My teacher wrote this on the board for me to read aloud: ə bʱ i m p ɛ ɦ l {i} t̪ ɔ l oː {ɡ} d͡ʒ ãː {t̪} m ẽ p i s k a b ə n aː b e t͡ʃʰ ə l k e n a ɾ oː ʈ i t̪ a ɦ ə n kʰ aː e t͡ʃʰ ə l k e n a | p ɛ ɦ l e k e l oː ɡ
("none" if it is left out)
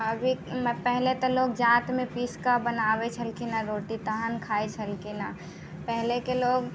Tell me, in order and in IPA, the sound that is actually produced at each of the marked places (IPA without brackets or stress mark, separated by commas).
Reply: e, ɡ, t̪